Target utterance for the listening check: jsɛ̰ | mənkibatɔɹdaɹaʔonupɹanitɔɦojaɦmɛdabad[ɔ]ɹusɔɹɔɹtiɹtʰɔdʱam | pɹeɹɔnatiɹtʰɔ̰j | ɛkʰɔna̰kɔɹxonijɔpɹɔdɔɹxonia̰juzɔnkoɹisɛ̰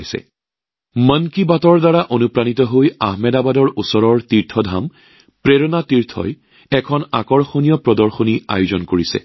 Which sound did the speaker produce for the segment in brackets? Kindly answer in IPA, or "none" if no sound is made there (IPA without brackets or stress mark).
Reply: ɔ